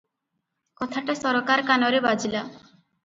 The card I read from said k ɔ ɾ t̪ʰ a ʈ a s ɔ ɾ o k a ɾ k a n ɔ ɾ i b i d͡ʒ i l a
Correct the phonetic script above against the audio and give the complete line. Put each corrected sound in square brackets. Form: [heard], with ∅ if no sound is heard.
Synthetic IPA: k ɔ [∅] t̪ʰ a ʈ a s ɔ ɾ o k a ɾ k a n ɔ ɾ [e] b [a] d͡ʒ i l a